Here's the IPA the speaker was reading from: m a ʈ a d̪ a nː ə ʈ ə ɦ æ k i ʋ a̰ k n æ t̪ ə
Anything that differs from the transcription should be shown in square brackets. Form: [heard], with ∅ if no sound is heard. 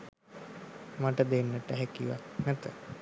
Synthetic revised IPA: m a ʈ [ə] d̪ [e] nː ə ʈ ə ɦ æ k i ʋ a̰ k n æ t̪ ə